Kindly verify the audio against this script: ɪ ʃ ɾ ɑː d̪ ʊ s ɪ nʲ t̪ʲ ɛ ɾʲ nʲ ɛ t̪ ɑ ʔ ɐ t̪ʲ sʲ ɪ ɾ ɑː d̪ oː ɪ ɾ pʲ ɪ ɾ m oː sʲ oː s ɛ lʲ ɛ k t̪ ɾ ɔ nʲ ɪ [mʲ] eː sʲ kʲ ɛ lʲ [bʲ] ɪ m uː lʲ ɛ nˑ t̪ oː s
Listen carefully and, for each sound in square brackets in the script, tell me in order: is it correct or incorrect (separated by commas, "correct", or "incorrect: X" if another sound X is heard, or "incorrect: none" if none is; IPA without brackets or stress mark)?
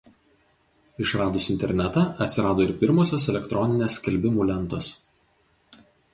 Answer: incorrect: nʲ, correct